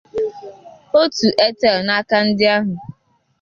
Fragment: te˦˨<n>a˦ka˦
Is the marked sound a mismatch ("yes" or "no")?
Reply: no